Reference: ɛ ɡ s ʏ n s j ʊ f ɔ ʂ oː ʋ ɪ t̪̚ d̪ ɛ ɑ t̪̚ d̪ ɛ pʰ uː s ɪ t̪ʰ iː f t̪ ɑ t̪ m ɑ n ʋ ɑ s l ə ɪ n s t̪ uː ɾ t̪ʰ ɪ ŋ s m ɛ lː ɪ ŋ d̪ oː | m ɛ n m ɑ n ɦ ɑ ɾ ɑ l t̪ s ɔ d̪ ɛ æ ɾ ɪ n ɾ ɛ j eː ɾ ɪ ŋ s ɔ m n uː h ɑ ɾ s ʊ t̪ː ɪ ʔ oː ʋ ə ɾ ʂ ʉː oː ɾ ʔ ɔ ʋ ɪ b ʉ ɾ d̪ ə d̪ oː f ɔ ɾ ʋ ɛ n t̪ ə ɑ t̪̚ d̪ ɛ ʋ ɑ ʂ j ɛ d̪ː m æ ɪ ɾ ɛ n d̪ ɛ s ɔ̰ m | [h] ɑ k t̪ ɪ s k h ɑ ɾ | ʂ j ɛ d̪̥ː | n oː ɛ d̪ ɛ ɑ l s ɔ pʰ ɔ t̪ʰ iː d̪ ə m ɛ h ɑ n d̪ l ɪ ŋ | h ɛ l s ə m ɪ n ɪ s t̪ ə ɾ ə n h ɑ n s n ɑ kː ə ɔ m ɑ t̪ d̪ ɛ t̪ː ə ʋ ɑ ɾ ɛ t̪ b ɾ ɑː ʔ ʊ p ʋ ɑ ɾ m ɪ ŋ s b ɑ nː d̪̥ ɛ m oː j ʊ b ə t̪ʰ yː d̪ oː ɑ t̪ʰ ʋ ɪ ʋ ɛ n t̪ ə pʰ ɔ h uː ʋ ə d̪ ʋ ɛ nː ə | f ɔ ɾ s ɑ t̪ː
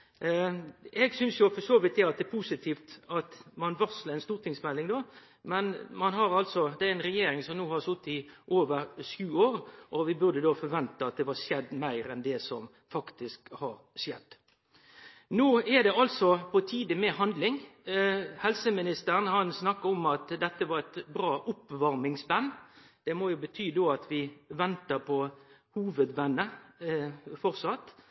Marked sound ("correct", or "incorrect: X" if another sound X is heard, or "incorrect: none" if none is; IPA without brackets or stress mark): incorrect: f